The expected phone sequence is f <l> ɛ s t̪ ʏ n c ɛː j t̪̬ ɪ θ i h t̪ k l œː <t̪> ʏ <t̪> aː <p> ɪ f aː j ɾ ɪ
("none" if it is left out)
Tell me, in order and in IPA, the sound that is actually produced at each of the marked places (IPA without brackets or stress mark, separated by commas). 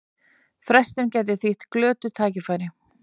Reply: ɾ, t̪, t̪ʰ, c